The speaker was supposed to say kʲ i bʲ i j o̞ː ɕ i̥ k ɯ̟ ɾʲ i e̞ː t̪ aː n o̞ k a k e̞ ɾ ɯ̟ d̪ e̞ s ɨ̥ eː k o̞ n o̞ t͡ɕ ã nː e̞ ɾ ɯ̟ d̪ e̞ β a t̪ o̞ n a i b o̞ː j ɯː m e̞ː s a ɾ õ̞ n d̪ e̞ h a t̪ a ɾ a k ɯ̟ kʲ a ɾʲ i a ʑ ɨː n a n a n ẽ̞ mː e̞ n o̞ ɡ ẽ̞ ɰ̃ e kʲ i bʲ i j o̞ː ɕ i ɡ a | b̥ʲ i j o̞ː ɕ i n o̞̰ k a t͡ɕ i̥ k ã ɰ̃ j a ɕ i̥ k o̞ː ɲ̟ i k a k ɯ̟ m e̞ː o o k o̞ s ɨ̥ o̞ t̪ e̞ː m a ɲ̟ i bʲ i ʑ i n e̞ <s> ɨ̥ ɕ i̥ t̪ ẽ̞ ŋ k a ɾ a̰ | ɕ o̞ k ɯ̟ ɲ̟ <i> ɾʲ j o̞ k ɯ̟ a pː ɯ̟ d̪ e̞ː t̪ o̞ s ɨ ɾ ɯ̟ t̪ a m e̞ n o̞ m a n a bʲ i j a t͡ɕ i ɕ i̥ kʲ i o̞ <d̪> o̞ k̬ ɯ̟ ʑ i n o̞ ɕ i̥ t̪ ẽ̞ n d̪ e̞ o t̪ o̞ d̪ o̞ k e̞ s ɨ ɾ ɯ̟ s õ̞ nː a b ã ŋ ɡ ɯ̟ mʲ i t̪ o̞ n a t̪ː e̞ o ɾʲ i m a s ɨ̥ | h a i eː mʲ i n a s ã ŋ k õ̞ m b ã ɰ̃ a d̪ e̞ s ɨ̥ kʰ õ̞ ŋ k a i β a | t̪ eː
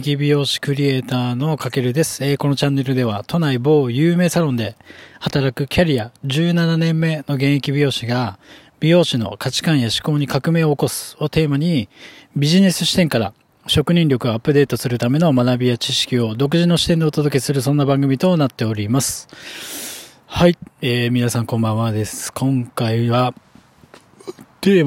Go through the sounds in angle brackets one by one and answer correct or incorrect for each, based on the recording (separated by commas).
correct, incorrect, correct